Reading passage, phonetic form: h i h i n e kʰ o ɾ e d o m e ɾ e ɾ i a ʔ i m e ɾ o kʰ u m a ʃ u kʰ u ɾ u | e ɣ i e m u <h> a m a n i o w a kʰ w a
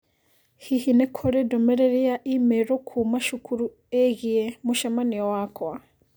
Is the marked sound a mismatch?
yes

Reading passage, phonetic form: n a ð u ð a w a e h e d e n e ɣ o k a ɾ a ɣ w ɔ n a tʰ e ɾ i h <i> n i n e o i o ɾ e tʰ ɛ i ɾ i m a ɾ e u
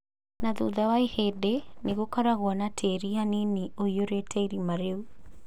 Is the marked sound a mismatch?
yes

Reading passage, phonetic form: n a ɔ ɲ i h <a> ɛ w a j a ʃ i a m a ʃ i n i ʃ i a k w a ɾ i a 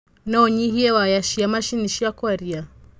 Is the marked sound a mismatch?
yes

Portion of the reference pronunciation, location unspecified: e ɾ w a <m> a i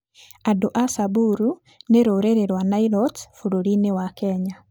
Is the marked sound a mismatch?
yes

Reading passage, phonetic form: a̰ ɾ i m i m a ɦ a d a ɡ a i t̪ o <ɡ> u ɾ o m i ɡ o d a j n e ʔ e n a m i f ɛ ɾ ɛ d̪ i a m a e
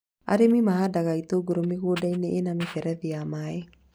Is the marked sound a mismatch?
no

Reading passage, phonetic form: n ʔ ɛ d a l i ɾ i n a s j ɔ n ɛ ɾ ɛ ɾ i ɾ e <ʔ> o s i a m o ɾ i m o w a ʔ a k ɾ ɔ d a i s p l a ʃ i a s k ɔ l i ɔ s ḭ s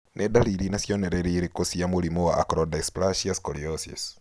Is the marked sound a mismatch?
yes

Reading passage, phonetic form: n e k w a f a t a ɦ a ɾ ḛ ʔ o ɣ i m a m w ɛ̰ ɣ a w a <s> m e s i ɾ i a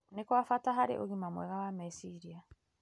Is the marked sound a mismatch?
yes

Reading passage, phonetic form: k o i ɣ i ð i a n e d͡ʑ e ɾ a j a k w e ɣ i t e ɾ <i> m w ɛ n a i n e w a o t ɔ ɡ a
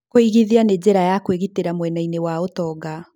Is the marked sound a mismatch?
yes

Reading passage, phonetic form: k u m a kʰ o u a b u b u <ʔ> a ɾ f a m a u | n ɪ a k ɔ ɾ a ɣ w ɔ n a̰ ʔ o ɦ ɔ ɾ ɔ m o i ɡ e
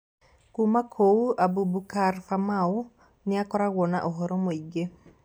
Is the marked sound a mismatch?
yes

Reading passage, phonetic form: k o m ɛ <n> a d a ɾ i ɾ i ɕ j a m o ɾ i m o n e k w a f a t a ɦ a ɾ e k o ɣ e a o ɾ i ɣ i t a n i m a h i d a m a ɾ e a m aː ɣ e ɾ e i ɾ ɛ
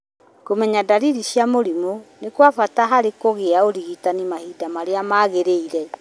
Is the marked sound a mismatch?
yes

